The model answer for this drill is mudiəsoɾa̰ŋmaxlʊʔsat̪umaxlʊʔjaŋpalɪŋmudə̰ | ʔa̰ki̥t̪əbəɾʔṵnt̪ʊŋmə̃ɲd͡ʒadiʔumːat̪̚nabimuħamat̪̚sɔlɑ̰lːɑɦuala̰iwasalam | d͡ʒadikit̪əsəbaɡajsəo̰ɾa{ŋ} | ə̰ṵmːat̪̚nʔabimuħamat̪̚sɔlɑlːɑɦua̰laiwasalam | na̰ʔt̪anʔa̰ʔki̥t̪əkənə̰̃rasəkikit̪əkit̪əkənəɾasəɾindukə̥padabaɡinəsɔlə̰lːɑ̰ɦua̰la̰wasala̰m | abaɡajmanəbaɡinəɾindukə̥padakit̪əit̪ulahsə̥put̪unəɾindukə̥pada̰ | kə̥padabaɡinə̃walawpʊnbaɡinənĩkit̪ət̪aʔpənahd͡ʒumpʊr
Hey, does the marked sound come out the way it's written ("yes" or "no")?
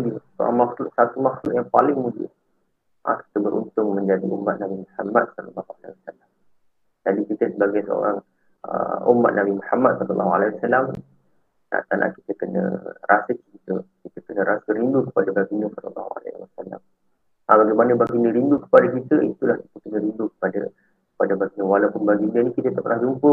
yes